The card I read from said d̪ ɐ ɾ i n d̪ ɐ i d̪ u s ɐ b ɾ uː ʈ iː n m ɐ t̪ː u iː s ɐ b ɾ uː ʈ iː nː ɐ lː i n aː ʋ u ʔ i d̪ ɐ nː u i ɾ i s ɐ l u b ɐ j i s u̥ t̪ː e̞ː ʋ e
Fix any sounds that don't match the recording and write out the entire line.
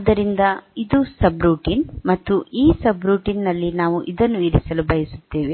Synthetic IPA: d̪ ɐ ɾ i n d̪ ɐ i d̪ u s ɐ b ɾ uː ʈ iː n m ɐ t̪ː u iː s ɐ b ɾ uː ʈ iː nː ɐ lː i n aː ʋ u ʔ i d̪ ɐ nː u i ɾ i s ɐ l u b ɐ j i s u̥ t̪ː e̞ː ʋ e